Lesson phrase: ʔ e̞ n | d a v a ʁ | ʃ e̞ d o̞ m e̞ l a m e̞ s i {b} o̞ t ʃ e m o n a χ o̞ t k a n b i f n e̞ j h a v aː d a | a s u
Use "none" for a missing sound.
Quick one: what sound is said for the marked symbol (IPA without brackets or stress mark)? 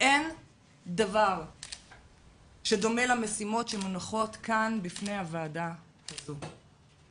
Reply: m